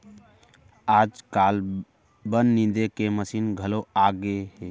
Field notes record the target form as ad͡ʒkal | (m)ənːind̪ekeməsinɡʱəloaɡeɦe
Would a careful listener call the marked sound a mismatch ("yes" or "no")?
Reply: yes